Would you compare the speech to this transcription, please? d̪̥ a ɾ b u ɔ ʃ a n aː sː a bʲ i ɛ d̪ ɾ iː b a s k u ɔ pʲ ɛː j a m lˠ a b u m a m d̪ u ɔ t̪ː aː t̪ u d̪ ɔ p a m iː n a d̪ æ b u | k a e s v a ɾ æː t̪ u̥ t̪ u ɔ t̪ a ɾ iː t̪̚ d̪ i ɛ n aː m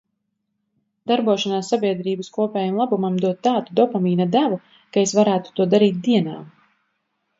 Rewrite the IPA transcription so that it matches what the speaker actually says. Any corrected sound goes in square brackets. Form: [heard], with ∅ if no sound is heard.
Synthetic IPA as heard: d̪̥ a ɾ b u ɔ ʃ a n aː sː a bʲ i ɛ d̪ ɾ iː b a s k u ɔ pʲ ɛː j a m lˠ a b u m a m d̪ u ɔ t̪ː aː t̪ u d̪ ɔ p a m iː n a d̪ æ [v] u | k a e s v a ɾ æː t̪ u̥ t̪ u ɔ [d̪] a ɾ iː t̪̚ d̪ i ɛ n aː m